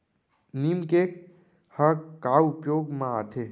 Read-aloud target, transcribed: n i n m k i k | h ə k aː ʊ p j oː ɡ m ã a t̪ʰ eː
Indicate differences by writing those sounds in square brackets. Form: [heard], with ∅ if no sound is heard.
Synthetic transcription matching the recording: n i [∅] m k [e] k | h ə k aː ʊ p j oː ɡ m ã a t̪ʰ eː